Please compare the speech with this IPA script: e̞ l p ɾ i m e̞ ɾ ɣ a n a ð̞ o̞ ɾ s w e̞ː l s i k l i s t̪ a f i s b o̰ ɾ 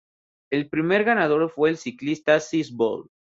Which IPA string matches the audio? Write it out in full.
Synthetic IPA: e̞ l p ɾ i m e̞ ɾ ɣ a n a ð̞ o̞ ɾ f w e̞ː l s i k l i s t̪ a s i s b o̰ l